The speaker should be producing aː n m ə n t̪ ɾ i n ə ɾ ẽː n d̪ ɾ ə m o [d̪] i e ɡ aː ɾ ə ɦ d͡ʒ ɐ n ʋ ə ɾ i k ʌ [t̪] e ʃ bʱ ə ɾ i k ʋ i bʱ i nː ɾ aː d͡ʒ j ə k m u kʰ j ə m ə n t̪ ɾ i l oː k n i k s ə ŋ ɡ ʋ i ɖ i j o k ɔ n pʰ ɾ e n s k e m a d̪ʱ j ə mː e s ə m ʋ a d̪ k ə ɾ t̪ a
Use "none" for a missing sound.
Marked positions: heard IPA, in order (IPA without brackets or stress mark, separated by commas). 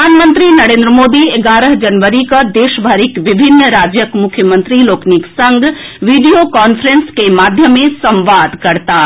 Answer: d̪, d̪